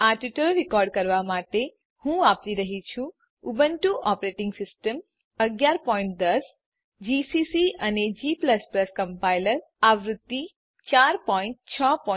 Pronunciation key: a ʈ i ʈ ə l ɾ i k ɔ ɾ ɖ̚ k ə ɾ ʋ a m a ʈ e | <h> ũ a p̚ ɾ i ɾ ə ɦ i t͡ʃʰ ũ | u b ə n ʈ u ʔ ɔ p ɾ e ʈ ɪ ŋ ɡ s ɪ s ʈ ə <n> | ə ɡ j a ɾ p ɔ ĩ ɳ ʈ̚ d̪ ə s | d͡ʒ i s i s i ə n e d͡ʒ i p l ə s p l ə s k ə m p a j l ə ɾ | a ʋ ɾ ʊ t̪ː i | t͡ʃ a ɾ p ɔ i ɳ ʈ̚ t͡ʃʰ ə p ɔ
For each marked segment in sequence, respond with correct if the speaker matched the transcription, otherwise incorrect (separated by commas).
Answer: correct, incorrect